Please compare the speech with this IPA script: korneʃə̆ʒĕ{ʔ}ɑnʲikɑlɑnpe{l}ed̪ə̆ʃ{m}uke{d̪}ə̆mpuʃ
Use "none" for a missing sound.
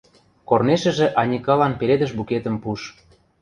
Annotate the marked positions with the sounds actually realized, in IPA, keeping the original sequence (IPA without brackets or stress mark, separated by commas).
ʔ, ɾ, b, t̪